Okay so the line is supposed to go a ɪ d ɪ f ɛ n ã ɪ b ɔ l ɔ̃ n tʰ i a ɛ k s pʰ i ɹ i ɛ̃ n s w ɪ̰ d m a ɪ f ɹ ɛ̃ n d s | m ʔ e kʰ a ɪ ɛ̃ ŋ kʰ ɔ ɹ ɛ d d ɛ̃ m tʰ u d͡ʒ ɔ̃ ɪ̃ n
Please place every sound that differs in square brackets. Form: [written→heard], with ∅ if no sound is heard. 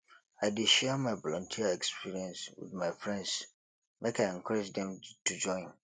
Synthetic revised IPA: a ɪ d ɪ [f→ʃ] ɛ [n→m] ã ɪ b ɔ l ɔ̃ n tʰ i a ɛ k s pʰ i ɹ i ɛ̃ n s w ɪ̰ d m a ɪ f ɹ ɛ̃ n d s | m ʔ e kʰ a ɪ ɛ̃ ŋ kʰ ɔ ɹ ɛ [d→d͡ʒ] d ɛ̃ m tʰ u d͡ʒ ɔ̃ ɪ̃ n